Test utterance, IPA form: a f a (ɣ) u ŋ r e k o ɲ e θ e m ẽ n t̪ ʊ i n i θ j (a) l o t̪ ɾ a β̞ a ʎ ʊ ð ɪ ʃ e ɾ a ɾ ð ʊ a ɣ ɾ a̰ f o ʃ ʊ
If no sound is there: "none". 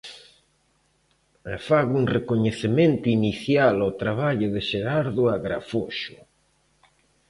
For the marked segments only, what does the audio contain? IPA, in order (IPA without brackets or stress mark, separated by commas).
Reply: ɣ, a